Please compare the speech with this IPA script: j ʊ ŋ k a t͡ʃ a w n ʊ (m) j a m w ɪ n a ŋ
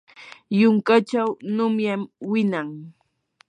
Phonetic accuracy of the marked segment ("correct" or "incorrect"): correct